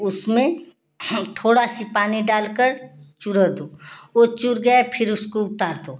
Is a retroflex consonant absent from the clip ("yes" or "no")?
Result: no